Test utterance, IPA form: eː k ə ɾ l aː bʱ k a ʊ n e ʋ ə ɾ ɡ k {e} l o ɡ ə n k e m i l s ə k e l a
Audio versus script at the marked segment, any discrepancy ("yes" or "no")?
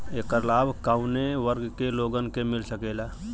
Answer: no